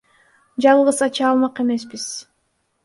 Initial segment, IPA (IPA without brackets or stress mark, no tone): d͡ʒ